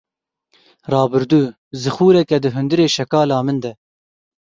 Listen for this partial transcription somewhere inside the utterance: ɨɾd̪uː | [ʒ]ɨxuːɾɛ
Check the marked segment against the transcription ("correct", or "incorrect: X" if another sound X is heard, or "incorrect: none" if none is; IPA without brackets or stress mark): incorrect: z